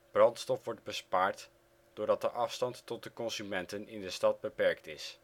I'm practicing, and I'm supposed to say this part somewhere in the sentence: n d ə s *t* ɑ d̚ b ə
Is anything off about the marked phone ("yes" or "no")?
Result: no